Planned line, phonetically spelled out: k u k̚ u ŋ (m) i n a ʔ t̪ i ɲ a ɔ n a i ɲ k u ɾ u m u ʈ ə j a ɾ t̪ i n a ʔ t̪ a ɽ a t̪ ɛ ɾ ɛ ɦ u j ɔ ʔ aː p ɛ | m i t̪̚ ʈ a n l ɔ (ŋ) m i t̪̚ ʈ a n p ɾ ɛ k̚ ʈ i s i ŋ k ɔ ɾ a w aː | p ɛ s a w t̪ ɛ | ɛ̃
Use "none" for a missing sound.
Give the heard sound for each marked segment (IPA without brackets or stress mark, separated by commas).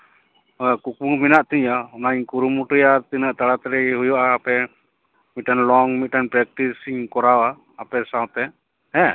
m, ŋ